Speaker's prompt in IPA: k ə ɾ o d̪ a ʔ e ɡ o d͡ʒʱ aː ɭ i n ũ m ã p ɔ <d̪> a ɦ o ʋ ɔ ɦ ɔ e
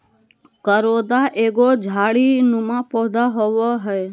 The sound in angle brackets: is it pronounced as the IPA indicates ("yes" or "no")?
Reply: yes